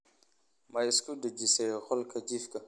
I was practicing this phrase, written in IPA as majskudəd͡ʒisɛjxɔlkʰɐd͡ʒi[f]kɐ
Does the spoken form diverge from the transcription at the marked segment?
no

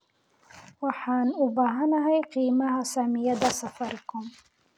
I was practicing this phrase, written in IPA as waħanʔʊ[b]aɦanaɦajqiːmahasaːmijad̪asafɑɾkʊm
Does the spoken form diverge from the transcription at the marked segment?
no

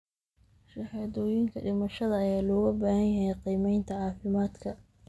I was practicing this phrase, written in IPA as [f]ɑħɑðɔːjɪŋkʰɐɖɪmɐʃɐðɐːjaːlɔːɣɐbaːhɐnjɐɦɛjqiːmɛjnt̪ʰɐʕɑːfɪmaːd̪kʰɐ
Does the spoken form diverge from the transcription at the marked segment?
yes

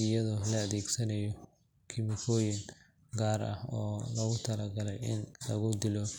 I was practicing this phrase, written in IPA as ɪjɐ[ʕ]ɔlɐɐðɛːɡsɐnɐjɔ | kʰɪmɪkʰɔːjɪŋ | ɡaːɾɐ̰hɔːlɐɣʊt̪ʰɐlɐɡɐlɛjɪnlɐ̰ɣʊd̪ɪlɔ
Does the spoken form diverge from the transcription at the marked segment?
yes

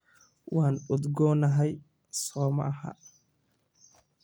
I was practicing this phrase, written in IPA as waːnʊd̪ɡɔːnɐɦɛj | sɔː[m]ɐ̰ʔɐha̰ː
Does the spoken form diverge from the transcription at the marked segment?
no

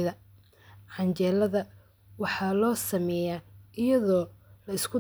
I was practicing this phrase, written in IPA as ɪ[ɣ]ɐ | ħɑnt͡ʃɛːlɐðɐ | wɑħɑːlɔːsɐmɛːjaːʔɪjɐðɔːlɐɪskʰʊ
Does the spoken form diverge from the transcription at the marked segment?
yes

